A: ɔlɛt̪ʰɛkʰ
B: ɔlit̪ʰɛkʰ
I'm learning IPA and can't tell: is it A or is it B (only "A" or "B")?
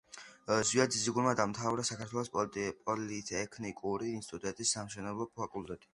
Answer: B